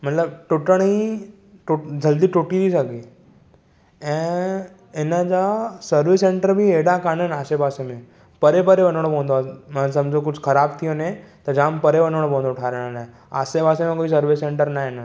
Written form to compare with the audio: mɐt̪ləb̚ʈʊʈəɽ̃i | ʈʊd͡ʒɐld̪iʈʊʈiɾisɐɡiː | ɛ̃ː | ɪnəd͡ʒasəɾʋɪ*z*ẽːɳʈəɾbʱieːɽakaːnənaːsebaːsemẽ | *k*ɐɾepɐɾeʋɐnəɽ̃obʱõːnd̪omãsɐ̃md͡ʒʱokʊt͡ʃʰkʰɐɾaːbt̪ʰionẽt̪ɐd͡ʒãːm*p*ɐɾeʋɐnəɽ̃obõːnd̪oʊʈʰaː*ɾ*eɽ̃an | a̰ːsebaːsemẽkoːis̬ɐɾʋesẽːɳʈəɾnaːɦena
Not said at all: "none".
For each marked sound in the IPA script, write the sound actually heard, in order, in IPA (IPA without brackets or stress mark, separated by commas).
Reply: s, p, p, ɾ